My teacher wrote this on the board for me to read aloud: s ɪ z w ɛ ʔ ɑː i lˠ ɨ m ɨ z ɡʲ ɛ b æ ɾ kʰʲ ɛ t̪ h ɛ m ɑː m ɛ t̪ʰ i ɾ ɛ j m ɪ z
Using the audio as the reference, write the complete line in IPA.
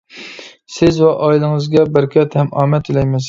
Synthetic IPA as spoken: s ɪ z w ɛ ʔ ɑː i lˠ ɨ ŋ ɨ z ɡʲ ɛ b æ ɾ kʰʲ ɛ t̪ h ɛ m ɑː m ɛ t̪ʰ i l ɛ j m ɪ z

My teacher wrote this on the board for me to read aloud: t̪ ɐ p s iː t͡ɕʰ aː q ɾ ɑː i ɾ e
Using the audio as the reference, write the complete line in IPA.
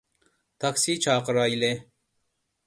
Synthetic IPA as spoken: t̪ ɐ k s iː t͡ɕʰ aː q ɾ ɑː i l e

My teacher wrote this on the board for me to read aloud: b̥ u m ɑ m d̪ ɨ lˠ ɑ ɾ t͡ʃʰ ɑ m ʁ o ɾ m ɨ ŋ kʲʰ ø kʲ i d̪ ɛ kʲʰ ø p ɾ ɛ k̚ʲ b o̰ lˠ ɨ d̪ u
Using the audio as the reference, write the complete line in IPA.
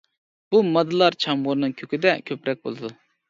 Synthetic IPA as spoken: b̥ u m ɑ d̪ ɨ lˠ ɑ ɾ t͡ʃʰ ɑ m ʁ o ɾ n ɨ ŋ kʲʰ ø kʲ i d̪ ɛ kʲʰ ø p ɾ ɛ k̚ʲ b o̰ lˠ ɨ d̪ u

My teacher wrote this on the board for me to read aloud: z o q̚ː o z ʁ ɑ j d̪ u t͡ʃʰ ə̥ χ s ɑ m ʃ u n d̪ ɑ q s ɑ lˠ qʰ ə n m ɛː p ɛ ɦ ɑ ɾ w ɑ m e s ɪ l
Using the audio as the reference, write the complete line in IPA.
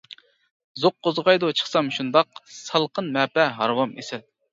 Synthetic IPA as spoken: z o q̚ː o z ʁ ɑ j d̪ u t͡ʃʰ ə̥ χ s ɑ m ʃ u n d̪ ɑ q s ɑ lˠ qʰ ə n m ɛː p ɛ ɦ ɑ ɾ w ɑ m e s ɪ l

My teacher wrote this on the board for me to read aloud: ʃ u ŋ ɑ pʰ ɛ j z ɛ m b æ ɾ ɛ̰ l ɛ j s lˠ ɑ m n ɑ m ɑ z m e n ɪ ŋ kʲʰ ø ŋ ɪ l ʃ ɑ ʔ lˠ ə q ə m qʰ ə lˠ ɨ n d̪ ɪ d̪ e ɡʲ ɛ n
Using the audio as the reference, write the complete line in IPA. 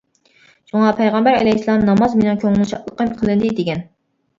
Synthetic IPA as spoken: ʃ u ŋ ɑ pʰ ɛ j ʁ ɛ m b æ ɾ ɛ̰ l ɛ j s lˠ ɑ m n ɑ m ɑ z m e n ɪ ŋ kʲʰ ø ŋ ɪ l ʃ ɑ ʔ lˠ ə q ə m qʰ ə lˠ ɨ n d̪ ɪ d̪ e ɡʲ ɛ n

